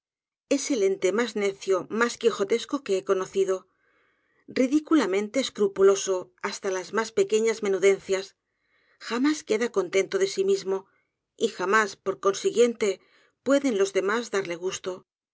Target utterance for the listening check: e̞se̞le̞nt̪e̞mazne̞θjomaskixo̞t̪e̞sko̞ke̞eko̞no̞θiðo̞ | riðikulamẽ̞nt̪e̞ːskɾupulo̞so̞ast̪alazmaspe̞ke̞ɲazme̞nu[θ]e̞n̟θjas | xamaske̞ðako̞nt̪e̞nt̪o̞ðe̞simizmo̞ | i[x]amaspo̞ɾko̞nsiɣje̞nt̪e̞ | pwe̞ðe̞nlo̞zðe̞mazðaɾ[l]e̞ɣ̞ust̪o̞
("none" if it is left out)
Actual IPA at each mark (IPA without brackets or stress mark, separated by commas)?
ð, x, l